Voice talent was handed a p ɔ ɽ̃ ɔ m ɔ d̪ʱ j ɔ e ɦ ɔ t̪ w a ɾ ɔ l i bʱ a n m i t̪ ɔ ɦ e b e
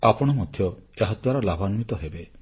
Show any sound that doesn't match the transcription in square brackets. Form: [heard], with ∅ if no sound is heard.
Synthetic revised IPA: a p ɔ ɽ̃ ɔ m ɔ d̪ʱ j ɔ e ɦ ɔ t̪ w a ɾ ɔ l [a] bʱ a n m i t̪ ɔ ɦ e b e